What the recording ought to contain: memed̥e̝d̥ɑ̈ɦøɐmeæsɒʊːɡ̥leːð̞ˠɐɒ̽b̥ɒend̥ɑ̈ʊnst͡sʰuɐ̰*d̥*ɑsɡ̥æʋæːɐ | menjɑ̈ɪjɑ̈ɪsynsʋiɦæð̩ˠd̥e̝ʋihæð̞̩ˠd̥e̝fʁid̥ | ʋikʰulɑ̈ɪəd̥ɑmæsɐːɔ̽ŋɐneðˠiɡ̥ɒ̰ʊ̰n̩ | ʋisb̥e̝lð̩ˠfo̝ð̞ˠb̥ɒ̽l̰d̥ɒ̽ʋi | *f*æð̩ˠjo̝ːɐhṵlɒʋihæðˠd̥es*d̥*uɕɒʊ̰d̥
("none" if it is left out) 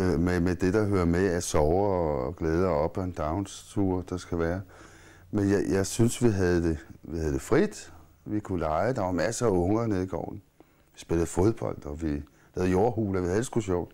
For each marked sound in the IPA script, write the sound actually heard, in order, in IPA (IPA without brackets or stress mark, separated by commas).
d̥, h, ɡ̥